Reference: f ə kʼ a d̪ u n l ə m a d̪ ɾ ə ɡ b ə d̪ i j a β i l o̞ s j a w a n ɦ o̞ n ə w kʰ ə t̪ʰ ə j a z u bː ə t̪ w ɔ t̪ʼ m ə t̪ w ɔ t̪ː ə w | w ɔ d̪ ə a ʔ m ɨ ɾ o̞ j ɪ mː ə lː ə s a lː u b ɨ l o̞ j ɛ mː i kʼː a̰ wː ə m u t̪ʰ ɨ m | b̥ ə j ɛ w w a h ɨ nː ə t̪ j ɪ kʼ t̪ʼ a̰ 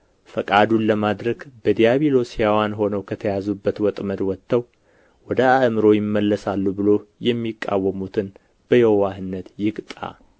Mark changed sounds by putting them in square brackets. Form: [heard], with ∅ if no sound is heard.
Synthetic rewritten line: f ə kʼ a d̪ u n l ə m a d̪ ɾ ə ɡ b ə d̪ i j a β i l o̞ s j a w a n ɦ o̞ n ə w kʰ ə t̪ʰ ə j a z u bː ə t̪ w ɔ t̪ʼ m ə [d̪] w ɔ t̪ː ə w | w ɔ d̪ ə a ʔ m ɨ ɾ o̞ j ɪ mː ə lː ə s a lː u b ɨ l o̞ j ɛ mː i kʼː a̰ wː ə m u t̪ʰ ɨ [n] | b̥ ə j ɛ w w a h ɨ nː ə t̪ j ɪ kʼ t̪ʼ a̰